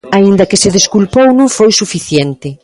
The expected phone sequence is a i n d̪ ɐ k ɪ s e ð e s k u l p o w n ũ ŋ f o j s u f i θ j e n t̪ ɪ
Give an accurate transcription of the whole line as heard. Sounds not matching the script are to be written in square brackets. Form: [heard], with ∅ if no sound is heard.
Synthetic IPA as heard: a i n d̪ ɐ k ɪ s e ð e s k u l p o w n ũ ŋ f o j s u f i θ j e n t̪ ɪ